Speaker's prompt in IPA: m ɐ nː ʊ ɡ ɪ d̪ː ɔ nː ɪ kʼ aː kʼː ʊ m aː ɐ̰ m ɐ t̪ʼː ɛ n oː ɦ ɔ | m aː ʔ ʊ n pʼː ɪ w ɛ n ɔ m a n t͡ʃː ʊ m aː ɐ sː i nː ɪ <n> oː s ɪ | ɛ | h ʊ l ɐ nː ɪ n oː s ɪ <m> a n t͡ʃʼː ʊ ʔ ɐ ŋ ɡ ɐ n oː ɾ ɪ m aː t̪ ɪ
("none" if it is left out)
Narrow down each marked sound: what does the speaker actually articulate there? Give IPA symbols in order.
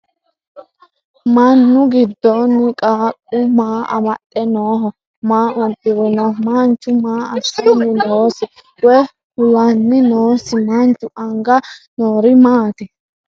n, m

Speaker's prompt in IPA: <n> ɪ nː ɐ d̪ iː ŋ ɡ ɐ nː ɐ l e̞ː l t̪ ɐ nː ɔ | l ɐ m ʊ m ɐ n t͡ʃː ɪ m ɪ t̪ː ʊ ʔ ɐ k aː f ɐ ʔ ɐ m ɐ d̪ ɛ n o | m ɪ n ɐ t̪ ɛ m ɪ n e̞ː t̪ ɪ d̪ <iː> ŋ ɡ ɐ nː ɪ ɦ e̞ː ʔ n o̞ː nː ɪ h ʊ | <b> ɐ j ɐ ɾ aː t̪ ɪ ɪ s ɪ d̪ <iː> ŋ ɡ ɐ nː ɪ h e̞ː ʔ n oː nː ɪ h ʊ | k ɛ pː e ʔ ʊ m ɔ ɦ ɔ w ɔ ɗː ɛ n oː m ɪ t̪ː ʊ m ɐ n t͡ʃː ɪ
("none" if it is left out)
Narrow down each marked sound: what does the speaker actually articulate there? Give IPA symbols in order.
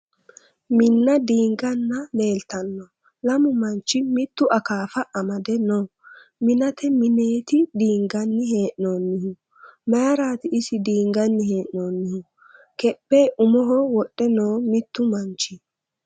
m, iː, m, iː

